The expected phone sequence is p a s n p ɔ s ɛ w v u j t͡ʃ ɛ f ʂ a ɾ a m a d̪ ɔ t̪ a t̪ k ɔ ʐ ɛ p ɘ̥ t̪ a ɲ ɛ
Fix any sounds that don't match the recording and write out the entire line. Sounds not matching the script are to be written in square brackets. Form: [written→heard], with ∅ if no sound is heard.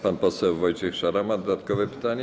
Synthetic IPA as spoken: p a [s→∅] n p ɔ s ɛ w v [u→ɔ] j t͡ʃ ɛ [f→x] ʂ a ɾ a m a d̪ ɔ [t̪→d̪] a t̪ k ɔ [ʐ→v] ɛ p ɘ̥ t̪ a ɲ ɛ